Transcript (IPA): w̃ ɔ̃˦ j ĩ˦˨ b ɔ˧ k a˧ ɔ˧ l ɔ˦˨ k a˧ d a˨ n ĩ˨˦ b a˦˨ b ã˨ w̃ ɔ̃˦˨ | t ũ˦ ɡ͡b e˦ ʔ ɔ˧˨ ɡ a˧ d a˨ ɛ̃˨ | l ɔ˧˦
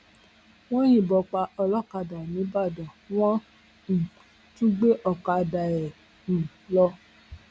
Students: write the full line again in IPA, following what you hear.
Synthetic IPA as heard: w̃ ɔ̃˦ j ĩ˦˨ b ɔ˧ k͡p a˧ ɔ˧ l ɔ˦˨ k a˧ d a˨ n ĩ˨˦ b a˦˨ d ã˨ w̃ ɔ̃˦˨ | t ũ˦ ɡ͡b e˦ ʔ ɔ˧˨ k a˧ d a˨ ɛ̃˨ | l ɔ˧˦